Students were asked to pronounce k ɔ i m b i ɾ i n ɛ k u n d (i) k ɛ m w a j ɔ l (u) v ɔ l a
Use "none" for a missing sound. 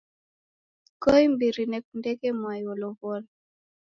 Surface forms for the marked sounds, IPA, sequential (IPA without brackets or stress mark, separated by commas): ɛ, ɔ